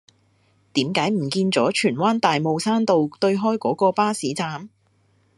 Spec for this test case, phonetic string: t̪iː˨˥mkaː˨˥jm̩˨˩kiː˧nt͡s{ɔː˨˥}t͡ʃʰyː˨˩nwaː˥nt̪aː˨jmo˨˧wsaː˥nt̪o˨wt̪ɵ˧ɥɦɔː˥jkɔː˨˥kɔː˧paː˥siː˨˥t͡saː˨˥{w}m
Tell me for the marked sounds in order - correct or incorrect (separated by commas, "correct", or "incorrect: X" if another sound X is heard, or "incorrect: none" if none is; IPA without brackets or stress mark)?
correct, incorrect: none